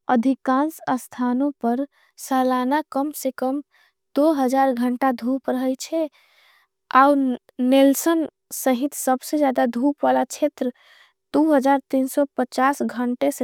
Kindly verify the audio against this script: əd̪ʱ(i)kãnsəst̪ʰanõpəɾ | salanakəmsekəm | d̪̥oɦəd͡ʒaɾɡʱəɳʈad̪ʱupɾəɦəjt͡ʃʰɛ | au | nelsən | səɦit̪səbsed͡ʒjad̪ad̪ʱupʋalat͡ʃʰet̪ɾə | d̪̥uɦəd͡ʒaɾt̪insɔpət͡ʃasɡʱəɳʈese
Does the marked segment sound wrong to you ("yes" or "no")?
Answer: no